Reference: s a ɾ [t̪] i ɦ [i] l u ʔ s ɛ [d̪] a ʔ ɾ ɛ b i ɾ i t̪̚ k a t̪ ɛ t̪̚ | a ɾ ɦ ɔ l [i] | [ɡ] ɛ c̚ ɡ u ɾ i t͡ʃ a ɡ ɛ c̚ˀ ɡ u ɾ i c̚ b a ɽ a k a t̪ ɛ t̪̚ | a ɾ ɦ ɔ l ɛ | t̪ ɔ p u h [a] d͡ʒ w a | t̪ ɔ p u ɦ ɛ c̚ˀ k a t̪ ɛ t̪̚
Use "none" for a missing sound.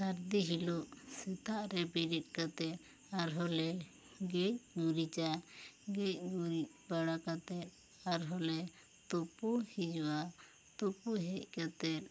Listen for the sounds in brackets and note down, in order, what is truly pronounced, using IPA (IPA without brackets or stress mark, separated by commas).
d̪, i, t̪, ɛ, ɡ, i